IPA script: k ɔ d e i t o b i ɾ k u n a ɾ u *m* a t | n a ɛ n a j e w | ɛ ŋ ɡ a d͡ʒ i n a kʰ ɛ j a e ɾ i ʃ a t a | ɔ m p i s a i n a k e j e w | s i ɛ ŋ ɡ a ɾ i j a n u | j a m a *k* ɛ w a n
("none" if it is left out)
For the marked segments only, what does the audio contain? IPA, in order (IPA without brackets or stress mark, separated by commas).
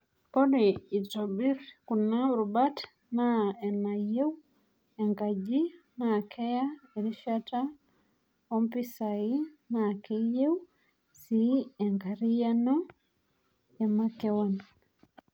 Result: b, k